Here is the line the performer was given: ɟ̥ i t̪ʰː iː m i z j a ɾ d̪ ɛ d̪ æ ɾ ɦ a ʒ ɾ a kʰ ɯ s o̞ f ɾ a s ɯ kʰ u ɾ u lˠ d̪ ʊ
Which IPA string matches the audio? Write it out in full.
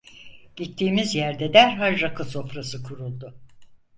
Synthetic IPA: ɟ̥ i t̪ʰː iː m i z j æ ɾ d̪ ɛ d̪ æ ɾ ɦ a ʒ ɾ a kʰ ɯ s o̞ f ɾ a s ɯ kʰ u ɾ u lˠ d̪ ʊ